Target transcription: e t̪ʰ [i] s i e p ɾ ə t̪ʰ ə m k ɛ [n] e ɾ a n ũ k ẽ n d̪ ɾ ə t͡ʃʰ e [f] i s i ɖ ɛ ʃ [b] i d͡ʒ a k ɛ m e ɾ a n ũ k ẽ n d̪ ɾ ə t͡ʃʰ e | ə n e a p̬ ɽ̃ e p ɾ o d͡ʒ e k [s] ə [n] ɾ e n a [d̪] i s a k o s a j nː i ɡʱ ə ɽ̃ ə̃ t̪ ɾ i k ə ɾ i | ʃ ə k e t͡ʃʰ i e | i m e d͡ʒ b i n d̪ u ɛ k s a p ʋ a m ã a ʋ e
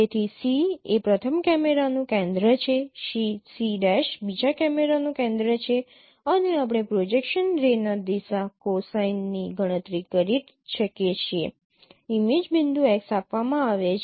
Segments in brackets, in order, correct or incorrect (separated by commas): correct, incorrect, incorrect, correct, incorrect, correct, correct